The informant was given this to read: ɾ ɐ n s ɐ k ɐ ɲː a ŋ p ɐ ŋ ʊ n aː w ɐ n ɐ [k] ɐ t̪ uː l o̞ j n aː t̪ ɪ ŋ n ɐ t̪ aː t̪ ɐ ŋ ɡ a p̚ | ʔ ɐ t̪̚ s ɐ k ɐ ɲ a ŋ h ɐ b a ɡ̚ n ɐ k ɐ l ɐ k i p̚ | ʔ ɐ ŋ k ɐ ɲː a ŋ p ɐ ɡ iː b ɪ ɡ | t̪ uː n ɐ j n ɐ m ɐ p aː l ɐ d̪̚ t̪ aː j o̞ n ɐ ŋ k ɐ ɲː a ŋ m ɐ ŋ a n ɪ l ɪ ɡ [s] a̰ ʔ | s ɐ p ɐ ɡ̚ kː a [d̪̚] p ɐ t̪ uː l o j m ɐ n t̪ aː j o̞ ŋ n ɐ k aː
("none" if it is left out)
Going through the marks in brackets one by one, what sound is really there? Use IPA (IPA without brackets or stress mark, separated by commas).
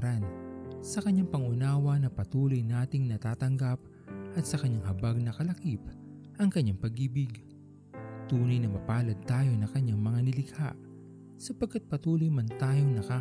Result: p, h, t̪̚